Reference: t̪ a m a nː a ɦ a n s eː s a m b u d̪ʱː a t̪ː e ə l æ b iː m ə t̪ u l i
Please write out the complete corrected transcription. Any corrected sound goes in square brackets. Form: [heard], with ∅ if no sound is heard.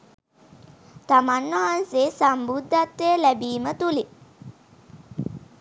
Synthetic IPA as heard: t̪ a m a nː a ɦ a n s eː s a m b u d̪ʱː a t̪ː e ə l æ b iː m ə t̪ u l i

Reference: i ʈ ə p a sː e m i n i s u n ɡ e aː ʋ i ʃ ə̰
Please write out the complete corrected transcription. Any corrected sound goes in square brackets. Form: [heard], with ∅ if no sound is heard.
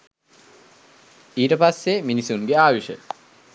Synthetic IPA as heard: [iː] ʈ ə p a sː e m i n i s u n ɡ e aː ʋ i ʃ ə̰

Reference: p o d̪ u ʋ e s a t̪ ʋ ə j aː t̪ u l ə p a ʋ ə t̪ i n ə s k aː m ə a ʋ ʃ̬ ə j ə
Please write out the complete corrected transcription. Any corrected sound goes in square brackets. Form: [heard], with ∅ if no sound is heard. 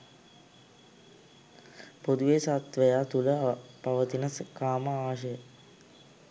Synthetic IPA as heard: p o d̪ u ʋ e s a t̪ ʋ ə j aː t̪ u l ə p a ʋ ə t̪ i n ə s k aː m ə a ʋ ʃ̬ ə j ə

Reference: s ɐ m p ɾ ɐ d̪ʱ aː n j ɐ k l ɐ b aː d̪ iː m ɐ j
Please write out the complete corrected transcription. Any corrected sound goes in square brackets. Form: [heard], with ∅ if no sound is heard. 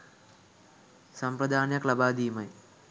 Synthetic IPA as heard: s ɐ m p ɾ ɐ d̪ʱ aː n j ɐ k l ɐ b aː d̪ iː m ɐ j

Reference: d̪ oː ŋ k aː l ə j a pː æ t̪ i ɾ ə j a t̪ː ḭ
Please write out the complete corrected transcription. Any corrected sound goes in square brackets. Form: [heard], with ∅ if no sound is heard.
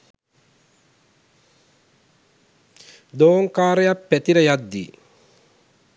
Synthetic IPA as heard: d̪ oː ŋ k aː [ɾ] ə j a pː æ t̪ i ɾ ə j a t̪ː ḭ

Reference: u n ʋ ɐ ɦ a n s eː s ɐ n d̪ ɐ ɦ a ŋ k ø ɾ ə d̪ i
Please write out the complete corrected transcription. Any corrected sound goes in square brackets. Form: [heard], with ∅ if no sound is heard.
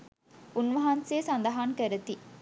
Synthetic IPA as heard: u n ʋ ɐ ɦ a n s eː s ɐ n d̪ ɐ ɦ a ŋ k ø ɾ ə [t̪] i

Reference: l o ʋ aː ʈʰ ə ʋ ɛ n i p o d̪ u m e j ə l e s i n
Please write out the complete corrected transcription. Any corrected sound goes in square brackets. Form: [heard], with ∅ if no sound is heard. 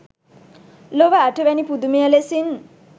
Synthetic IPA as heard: l o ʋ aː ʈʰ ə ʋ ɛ n i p [u] d̪ u m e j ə l e s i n

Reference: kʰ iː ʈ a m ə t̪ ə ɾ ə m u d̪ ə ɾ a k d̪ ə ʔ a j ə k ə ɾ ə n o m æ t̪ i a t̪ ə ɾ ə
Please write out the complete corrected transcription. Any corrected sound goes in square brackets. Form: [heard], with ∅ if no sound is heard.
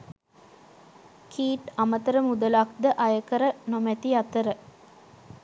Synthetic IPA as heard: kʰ iː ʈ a m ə t̪ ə ɾ ə m u d̪ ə [l] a k d̪ ə ʔ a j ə k ə ɾ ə n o m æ t̪ i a t̪ ə ɾ ə

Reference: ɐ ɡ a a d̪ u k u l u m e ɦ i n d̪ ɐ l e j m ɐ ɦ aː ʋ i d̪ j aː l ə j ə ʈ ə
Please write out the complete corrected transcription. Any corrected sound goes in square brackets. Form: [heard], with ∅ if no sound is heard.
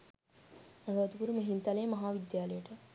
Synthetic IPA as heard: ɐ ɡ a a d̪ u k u [ɾ] u m e ɦ i n [t̪] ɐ l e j m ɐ ɦ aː ʋ i d̪ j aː l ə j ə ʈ ə

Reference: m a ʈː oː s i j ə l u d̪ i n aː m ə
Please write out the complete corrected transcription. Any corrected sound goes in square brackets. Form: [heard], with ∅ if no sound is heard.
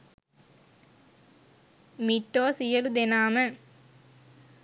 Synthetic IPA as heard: m [i] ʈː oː s i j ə l u d̪ [e] n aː m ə

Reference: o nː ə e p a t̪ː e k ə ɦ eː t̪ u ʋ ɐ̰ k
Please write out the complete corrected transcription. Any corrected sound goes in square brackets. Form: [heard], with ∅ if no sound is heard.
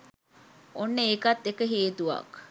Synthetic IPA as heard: o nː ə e [k] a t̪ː e k ə ɦ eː t̪ u ʋ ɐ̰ k

